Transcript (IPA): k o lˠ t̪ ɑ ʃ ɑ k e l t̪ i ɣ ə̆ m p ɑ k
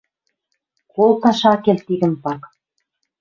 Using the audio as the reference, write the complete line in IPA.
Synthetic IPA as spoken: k o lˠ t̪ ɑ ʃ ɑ k e l t̪ i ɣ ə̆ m p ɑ k